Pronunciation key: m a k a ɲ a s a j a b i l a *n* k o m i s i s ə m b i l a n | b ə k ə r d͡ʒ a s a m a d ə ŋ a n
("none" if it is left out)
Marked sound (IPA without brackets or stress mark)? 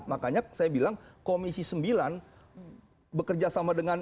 ŋ